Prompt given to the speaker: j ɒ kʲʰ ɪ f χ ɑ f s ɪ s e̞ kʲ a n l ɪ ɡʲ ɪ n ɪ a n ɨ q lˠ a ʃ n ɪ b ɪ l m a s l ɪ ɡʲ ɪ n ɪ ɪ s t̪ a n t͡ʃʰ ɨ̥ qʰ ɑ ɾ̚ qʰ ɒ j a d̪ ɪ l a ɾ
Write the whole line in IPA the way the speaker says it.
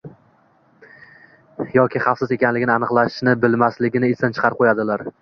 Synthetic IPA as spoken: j ɒ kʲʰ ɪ χ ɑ f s ɪ z e̞ kʲ a n l ɪ ɡʲ ɪ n ɪ a n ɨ q lˠ a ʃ n ɪ b ɪ l m a s l ɪ ɡʲ ɪ n ɪ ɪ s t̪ a n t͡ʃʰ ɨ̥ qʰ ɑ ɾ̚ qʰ o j a d̪ ɪ l a ɾ

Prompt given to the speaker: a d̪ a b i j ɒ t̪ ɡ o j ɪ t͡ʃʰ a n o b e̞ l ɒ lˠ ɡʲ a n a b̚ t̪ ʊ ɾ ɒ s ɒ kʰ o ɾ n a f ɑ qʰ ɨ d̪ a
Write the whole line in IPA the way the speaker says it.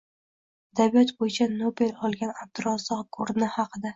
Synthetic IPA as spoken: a d̪ a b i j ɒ t̪ b o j ɪ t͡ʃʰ a n o b e̞ l ɒ lˠ ɡʲ a n a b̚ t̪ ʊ ɾ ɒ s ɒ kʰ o ɾ n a h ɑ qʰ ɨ d̪ a

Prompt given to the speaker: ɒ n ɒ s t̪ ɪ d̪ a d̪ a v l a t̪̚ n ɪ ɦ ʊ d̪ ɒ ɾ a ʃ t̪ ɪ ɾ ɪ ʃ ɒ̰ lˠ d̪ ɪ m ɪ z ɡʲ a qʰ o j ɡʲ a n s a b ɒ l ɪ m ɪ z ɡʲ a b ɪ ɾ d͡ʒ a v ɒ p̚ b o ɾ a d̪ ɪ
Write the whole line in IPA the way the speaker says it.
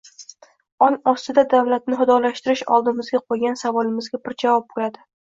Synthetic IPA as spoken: ɒ n ɒ s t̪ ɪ d̪ a d̪ a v l a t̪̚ n ɪ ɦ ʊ d̪ ɒ l a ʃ t̪ ɪ ɾ ɪ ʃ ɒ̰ lˠ d̪ ɪ m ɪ z ɡʲ a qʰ o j ɡʲ a n s a v ɒ l ɪ m ɪ z ɡʲ a b ɪ ɾ d͡ʒ a v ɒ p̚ b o l a d̪ ɪ

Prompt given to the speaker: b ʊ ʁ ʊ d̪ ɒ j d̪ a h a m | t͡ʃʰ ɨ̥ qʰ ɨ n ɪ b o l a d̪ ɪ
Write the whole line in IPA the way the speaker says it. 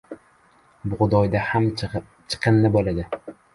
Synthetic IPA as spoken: b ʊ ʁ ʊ d̪ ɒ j d̪ a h a m | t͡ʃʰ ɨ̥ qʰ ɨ nː ɪ b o l a d̪ ɪ

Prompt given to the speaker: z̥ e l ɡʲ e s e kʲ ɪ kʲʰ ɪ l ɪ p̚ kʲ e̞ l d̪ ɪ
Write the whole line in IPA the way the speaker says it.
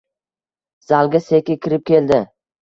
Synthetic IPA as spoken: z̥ a l ɡʲ a s e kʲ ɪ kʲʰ ɪ ɾ ɪ p̚ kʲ e̞ l d̪ ɪ

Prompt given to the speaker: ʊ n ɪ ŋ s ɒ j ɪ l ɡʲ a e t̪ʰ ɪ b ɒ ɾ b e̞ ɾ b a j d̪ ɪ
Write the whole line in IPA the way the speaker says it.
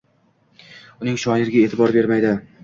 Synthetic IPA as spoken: ʊ n ɪ ŋ ʃ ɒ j ɪ ɾ ɡʲ a e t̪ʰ ɪ b ɒ ɾ b e̞ ɾ m a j d̪ ɪ

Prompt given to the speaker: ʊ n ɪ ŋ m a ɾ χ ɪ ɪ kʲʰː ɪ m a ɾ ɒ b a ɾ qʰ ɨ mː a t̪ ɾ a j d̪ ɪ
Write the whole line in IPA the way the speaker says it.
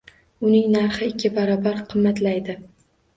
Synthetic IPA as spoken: ʊ n ɪ ŋ n a ɾ χ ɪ ɪ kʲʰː ɪ b a ɾ ɒ b a ɾ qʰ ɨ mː a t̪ l a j d̪ ɪ

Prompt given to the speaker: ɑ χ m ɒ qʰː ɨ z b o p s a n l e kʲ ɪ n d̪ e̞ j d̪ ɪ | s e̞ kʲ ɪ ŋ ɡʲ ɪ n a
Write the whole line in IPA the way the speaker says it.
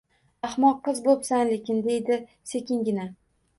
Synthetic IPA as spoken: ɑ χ m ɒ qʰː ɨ z b o p s a n l e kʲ ɪ n d̪ e̞ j d̪ ɪ | s e̞ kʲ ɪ ŋ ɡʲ ɪ n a

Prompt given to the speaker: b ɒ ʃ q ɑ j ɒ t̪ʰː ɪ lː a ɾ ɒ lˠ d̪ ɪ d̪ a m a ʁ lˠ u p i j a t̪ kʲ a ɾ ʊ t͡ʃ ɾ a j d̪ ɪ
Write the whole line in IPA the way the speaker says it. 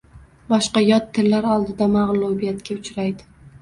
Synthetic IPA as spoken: b ɒ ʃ q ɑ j ɒ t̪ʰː ɪ lː a ɾ ɒ lˠ d̪ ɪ d̪ a m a ʁ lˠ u b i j a t̪ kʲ a ʊ t͡ʃ ɾ a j d̪ ɪ

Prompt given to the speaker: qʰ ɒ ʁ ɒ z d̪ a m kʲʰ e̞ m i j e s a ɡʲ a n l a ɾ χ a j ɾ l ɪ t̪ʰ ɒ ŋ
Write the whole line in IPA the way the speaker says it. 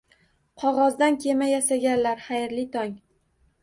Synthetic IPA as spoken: qʰ ɒ ʁ ɒ z d̪ a n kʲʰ e̞ m a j a s a ɡʲ a n l a ɾ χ a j ɾ l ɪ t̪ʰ ɒ ŋ

